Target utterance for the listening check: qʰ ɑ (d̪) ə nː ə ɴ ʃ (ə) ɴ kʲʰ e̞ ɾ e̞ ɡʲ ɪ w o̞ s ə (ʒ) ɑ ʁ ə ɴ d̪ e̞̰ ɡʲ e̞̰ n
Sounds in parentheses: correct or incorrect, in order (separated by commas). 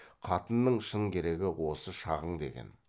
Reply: incorrect, correct, incorrect